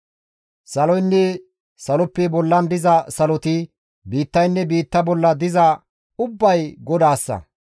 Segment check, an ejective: absent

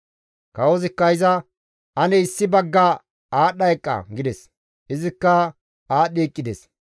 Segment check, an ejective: present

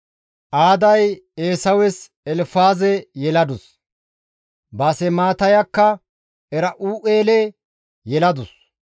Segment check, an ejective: absent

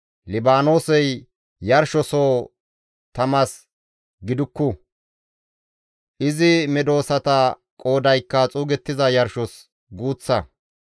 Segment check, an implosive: absent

